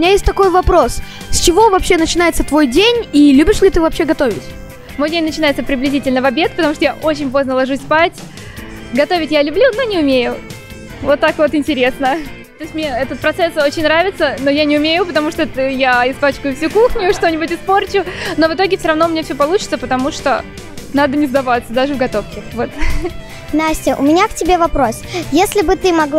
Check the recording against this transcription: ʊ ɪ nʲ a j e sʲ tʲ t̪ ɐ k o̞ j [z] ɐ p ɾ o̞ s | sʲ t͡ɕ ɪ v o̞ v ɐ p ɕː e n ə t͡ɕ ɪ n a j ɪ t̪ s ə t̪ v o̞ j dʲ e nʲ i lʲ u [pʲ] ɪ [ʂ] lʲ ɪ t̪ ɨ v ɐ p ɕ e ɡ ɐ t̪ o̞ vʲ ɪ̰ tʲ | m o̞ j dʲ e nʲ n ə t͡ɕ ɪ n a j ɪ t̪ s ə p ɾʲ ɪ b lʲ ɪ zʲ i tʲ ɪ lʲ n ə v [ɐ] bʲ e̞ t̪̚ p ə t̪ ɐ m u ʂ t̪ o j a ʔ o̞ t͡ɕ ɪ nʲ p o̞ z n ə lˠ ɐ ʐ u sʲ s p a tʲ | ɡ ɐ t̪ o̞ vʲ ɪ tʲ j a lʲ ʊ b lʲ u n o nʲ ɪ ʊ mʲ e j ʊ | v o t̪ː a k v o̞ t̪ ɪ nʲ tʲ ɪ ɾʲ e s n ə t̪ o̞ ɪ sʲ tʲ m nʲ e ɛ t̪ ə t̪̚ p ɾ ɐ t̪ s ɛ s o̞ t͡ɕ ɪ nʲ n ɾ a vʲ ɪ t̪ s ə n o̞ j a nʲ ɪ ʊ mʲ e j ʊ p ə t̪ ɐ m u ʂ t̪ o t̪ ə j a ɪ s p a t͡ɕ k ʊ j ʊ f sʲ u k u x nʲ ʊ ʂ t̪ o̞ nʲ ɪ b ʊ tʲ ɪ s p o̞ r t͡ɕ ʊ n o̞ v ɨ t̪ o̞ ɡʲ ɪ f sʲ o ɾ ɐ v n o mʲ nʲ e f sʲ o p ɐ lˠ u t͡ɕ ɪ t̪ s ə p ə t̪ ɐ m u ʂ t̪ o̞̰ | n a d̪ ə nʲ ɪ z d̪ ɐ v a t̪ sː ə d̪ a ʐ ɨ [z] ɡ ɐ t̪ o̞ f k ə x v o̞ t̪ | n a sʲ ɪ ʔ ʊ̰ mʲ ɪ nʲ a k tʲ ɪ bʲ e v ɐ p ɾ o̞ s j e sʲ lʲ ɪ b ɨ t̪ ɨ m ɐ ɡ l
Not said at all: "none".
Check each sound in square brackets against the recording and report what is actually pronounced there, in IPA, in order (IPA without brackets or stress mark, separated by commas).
v, bʲ, ʂ, ɐ, v